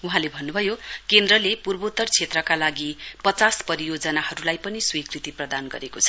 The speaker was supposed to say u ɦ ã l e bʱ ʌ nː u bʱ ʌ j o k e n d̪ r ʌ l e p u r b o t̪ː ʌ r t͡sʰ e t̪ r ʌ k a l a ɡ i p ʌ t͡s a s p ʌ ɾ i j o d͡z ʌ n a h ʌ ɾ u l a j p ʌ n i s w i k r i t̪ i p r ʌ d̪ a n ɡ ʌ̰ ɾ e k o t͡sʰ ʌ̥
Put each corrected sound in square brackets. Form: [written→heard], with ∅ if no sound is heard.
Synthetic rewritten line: u ɦ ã l e bʱ ʌ nː u bʱ ʌ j o k e n d̪ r ʌ l e p u r b o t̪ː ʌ r t͡sʰ e t̪ r ʌ k a l a ɡ i p ʌ t͡s a s p ʌ ɾ i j o d͡z ʌ n a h ʌ ɾ u l a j p ʌ n i s w i k r i t̪ i p r ʌ d̪ a n ɡ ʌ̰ ɾ e k o t͡sʰ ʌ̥